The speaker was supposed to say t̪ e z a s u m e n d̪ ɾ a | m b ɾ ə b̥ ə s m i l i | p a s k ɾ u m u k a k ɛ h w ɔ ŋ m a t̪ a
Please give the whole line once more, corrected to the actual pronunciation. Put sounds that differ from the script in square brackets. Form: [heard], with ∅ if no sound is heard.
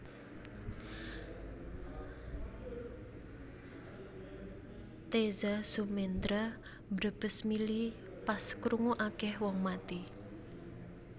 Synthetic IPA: t̪ e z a s u m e n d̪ ɾ a | m b ɾ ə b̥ ə s m i l i | p a s k ɾ u [ŋ] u [ʔ] a k ɛ h w ɔ ŋ m a t̪ [i]